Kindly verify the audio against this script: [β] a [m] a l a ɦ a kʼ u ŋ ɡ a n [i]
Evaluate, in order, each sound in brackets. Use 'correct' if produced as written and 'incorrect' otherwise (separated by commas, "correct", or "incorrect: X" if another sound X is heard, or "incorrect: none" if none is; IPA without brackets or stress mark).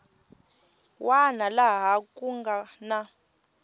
incorrect: w, incorrect: n, incorrect: a